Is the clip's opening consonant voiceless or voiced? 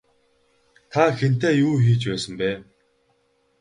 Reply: voiceless